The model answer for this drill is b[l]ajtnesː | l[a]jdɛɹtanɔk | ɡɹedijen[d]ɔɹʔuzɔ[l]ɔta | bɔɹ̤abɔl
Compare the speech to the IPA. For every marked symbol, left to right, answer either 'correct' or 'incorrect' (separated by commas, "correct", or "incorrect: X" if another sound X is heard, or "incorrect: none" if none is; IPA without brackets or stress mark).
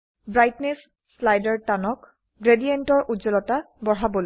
incorrect: ɹ, correct, incorrect: t, correct